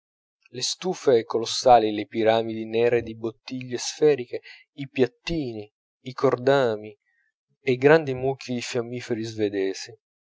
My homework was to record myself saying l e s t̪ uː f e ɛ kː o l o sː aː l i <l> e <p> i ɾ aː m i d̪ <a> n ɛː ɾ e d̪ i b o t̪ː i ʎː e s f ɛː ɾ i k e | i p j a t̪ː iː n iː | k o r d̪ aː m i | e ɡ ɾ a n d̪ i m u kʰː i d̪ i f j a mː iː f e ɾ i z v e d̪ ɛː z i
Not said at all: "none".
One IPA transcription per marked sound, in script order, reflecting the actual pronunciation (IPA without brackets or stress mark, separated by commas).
l, p, i